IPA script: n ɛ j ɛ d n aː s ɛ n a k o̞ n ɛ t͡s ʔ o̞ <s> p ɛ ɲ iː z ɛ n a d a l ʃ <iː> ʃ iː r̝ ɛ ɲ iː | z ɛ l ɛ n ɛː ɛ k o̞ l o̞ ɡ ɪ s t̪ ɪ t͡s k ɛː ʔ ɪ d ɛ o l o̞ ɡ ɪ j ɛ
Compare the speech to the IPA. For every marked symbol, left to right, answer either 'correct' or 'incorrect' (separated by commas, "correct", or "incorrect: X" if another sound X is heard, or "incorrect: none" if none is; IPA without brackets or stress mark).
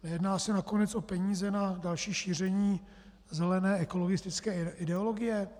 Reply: incorrect: none, correct